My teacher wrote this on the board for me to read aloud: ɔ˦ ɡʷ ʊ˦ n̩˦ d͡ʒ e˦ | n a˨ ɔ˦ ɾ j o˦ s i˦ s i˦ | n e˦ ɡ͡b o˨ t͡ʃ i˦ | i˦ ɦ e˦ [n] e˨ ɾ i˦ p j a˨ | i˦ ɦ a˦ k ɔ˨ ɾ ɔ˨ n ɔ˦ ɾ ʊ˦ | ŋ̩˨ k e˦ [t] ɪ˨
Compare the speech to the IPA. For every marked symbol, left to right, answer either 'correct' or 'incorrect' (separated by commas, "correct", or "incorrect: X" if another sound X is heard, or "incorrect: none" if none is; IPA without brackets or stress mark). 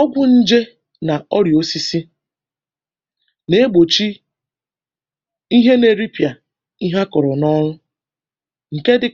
correct, incorrect: d